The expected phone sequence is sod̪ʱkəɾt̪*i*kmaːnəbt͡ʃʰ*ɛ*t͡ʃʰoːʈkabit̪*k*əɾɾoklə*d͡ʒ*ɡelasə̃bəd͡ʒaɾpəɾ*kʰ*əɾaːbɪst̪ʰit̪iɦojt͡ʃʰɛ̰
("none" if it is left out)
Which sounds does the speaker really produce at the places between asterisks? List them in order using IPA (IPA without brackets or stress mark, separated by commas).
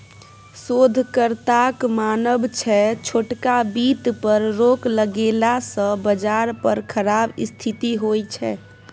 a, ɛ, p, none, kʰ